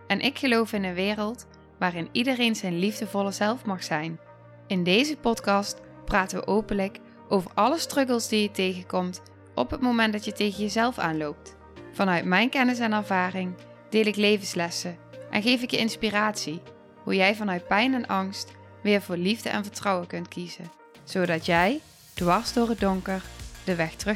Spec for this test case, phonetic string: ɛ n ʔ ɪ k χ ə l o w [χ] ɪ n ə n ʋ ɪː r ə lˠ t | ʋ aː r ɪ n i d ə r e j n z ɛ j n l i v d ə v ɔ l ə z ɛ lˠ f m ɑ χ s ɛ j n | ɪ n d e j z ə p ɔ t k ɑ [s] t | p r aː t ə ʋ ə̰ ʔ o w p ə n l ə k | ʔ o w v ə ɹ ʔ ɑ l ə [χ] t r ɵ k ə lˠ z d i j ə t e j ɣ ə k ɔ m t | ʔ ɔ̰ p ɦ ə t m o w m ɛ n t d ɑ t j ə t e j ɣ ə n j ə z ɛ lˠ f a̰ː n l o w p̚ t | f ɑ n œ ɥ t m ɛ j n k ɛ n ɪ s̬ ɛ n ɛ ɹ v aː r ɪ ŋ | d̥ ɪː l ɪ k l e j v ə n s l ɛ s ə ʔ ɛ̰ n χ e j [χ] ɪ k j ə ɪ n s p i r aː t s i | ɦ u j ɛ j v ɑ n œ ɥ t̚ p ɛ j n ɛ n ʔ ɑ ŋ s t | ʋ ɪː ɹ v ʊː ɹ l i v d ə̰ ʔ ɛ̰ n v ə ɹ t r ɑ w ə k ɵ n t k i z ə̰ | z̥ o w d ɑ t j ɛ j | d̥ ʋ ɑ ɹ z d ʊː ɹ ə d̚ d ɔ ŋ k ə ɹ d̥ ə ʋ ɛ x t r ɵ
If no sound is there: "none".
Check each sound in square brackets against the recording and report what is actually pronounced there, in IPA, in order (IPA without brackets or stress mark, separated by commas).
f, s, s, f